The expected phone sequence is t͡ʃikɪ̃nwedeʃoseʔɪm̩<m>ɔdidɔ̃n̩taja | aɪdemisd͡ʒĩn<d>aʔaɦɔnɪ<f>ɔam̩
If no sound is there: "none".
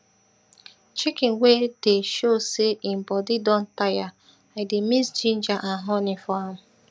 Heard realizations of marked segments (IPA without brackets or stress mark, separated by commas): b, d͡ʒ, f